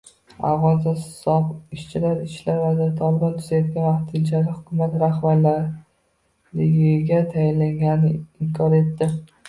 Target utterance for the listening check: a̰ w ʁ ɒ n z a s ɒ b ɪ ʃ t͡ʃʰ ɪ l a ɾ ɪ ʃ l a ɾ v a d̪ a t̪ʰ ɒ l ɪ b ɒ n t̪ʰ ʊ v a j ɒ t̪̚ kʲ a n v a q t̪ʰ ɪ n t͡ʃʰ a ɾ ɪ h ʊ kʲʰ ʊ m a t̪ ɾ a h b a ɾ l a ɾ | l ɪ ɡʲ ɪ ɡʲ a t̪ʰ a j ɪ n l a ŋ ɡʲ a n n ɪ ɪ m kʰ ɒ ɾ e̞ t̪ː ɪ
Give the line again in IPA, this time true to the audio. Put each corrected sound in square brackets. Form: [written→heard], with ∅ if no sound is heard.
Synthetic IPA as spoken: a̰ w ʁ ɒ n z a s ɒ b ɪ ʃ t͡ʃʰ ɪ l a ɾ ɪ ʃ l a ɾ v a d̪ a t̪ʰ ɒ l ɪ b ɒ n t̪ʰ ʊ [v→z] a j ɒ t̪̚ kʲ a n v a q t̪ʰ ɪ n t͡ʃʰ a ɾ ɪ h ʊ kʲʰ ʊ m a t̪ ɾ a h b a ɾ l a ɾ | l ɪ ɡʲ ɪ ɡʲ a t̪ʰ a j ɪ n l a ŋ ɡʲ a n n ɪ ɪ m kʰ ɒ ɾ e̞ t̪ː ɪ

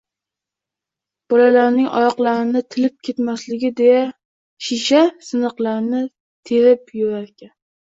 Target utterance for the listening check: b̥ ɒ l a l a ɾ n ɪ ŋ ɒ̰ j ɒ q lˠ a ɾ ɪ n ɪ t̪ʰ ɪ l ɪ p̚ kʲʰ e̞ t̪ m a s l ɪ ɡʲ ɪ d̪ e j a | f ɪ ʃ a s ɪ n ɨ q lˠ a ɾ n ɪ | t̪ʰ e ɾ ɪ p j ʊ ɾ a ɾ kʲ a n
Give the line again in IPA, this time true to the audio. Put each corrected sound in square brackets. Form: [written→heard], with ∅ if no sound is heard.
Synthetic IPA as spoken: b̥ ɒ l a l a ɾ n ɪ ŋ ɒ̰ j ɒ q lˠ a ɾ ɪ n ɪ t̪ʰ ɪ l ɪ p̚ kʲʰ e̞ t̪ m a s l ɪ ɡʲ ɪ d̪ e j a | [f→ʃ] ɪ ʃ a s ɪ n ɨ q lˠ a ɾ n ɪ | t̪ʰ e ɾ ɪ p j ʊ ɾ a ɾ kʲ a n

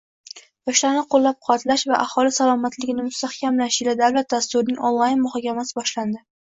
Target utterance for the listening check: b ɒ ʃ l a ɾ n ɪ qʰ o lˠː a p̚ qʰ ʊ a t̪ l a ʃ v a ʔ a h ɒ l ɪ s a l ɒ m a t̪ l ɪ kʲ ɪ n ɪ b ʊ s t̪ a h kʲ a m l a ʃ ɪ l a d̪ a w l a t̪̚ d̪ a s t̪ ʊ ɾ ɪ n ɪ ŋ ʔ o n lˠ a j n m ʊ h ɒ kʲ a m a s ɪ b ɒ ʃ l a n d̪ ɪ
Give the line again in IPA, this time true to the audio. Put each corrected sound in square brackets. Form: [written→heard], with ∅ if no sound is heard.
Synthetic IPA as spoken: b ɒ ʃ l a ɾ n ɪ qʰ o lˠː a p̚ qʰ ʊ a t̪ l a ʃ v a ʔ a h ɒ l ɪ s a l ɒ m a t̪ l ɪ [kʲ→ɡʲ] ɪ n ɪ [b→m] ʊ s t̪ a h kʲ a m l a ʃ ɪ l a d̪ a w l a t̪̚ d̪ a s t̪ ʊ ɾ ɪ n ɪ ŋ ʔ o n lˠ a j n m ʊ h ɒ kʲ a m a s ɪ b ɒ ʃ l a n d̪ ɪ

